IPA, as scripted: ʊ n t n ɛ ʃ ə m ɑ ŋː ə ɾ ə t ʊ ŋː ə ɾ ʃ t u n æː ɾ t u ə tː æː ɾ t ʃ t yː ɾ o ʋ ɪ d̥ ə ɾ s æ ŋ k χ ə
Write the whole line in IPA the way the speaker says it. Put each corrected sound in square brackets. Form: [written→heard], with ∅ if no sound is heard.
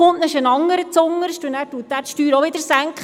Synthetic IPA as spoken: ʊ n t n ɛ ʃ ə [m→n] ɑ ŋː ə ɾ ə [t→t͡s] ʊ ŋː ə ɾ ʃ t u n æː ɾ t u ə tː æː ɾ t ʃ t yː ɾ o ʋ ɪ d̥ ə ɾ s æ ŋ k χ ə